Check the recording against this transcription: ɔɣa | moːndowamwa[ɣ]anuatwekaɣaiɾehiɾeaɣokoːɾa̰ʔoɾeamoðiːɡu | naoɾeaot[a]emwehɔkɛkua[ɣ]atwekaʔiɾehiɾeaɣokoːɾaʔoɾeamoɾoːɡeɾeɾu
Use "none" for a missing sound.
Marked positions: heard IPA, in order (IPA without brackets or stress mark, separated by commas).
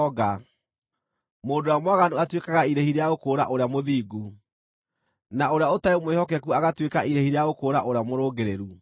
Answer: ɣ, a, ɣ